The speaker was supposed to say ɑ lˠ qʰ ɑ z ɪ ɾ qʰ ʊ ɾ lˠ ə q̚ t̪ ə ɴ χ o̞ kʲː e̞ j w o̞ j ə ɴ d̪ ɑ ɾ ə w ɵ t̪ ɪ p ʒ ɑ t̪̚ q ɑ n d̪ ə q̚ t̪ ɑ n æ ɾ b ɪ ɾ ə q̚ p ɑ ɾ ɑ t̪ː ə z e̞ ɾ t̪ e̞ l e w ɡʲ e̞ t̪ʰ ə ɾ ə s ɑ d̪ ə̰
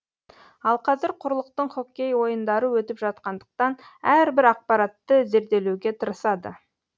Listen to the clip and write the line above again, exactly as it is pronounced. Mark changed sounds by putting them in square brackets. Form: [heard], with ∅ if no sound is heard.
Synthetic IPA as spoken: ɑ lˠ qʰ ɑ z ɪ ɾ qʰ ʊ ɾ lˠ ə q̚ t̪ ə ɴ χ o̞ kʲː e̞ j w o̞ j ə [n] d̪ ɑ ɾ ə w ɵ t̪ ɪ p ʒ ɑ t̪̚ q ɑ n d̪ ə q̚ t̪ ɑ n æ ɾ b ɪ ɾ [ɑ] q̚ p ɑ ɾ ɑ t̪ː ə z e̞ ɾ [d̪] e̞ l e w ɡʲ e̞ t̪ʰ ə ɾ ə s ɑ d̪ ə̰